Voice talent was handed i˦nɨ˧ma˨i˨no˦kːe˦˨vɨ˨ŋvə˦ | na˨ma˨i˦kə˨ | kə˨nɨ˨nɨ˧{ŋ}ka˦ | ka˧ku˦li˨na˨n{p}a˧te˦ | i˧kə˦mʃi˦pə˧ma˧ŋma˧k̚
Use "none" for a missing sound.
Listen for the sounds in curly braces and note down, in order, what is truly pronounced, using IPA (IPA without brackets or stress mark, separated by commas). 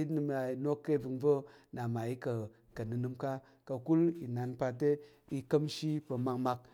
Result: m, p